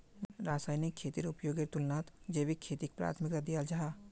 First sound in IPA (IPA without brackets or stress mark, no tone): ɾ